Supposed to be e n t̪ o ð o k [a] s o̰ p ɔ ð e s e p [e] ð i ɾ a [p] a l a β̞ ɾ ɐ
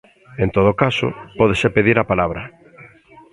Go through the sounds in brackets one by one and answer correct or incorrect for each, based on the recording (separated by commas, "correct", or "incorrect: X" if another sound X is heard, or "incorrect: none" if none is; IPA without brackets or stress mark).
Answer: correct, correct, correct